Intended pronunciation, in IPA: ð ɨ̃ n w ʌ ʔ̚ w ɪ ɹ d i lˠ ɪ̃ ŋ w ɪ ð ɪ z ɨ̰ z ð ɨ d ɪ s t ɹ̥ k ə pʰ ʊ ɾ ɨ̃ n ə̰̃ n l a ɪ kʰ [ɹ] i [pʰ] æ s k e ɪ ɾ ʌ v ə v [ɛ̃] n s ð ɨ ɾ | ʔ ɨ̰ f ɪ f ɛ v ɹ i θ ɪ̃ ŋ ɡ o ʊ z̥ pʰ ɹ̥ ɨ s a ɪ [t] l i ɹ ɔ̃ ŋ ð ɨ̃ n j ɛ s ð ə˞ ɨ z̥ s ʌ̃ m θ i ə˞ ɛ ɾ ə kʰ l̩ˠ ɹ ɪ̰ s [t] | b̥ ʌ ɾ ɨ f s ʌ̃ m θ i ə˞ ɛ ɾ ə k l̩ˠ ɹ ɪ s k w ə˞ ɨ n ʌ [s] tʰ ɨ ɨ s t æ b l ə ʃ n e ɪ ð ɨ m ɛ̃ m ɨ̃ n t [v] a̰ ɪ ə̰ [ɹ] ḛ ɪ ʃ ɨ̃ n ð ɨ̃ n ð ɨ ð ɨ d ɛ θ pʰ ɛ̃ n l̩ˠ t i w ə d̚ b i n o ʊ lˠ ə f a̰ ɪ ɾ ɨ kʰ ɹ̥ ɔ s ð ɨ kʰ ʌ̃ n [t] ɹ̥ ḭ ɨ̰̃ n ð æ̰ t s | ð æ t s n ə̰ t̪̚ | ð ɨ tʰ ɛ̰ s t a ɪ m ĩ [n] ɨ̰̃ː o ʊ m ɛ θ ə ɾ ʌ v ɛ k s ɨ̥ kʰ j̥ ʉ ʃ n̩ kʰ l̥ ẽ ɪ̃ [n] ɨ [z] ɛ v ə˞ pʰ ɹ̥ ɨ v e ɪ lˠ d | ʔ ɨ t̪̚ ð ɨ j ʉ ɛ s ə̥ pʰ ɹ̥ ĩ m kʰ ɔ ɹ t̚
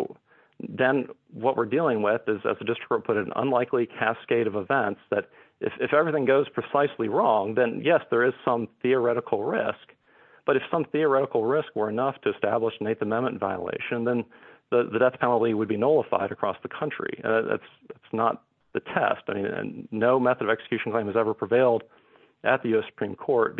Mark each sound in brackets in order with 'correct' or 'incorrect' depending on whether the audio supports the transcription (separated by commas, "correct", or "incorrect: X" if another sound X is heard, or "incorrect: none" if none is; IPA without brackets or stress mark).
incorrect: l, incorrect: kʰ, correct, incorrect: s, incorrect: k, incorrect: f, correct, incorrect: l, incorrect: t͡ʃ, correct, incorrect: m, correct